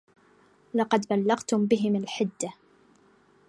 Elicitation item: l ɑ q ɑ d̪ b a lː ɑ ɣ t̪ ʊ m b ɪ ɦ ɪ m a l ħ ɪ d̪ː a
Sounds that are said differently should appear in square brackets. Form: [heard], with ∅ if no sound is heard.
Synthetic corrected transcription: l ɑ q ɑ d̪ b a lː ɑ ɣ t̪ ʊ m b ɪ ɦ ɪ m a l ħ ɪ d̪ː a